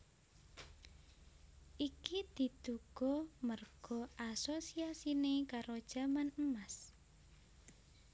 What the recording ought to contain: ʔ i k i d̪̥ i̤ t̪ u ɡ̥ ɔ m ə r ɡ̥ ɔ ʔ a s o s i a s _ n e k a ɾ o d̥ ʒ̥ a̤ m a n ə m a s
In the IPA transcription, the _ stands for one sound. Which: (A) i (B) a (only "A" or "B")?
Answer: A